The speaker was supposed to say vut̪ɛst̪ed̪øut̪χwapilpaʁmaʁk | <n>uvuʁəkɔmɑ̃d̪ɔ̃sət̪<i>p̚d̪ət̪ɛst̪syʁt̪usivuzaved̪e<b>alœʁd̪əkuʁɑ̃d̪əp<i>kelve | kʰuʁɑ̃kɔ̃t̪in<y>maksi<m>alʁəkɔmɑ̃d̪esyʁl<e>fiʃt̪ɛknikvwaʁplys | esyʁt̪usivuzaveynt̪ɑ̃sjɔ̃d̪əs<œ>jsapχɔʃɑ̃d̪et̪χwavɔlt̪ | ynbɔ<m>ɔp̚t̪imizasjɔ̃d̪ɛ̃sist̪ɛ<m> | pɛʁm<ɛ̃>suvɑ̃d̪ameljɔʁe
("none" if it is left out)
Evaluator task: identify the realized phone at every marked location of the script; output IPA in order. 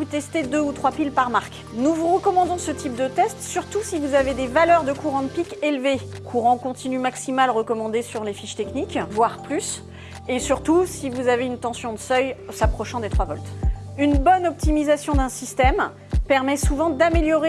n, i, v, i, y, m, e, œ, n, m, ɛ

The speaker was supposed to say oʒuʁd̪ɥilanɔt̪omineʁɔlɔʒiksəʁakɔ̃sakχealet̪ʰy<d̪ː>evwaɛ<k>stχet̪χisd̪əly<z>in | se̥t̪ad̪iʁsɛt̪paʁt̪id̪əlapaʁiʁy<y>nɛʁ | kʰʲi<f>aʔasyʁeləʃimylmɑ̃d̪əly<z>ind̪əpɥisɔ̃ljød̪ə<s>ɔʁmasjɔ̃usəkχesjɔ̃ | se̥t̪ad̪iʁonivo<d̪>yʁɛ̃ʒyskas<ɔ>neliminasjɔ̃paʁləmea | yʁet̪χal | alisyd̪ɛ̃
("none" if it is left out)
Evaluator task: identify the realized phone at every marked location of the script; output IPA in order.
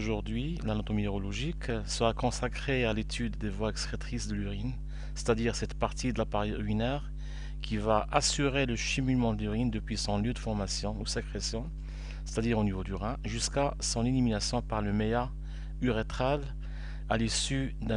d̪ː, k, ʁ, i, v, ʁ, f, d̪, ɔ̃

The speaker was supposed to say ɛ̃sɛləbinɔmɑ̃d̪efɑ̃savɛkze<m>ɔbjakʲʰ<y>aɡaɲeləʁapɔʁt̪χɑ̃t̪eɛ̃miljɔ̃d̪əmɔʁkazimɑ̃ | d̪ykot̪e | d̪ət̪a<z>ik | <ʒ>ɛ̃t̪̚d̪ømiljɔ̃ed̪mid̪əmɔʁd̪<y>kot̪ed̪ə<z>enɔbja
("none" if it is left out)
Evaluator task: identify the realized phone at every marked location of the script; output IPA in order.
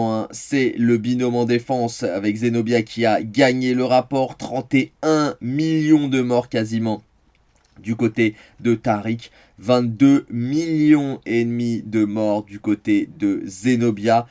n, i, ʁ, v, y, z

